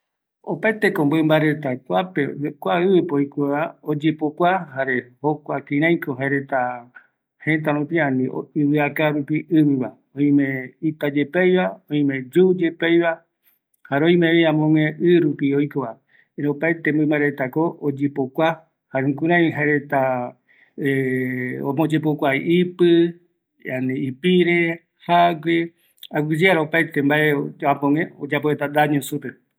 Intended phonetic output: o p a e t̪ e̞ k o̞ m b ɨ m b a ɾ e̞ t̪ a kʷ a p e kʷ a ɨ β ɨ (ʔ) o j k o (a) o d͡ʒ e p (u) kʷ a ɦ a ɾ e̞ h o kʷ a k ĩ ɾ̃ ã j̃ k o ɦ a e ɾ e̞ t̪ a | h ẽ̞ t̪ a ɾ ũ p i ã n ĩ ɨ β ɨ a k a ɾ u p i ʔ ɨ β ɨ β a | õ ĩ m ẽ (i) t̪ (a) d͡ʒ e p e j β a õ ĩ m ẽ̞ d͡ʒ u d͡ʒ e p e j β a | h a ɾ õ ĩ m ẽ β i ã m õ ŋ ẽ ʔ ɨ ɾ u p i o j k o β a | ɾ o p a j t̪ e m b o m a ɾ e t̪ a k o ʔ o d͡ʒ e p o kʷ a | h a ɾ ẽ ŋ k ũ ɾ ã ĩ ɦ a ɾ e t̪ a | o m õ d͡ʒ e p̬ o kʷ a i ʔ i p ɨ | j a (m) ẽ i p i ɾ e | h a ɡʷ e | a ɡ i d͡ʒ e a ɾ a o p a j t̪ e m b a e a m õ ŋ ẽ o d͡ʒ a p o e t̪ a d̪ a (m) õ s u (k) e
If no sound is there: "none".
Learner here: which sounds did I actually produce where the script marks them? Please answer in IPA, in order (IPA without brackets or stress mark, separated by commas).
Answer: p, a, o, i, a, n, ɲ, p